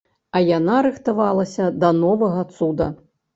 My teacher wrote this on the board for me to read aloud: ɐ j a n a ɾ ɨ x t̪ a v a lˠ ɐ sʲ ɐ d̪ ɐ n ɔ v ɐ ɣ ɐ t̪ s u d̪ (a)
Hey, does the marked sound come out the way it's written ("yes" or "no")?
no